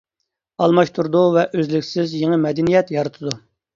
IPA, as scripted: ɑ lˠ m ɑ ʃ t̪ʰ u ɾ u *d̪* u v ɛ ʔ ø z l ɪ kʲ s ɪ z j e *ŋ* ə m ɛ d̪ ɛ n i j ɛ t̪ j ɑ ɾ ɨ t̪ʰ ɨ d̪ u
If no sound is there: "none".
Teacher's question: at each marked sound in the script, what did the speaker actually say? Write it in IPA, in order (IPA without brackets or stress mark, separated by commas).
d̪, ŋ